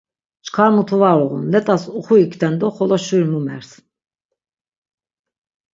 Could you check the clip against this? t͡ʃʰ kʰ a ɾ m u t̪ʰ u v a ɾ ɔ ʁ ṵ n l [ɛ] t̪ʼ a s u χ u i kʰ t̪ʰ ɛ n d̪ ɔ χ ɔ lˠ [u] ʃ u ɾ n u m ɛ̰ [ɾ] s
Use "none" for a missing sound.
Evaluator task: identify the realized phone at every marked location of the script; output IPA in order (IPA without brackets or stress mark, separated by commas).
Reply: ɛ, ɔ, ɾ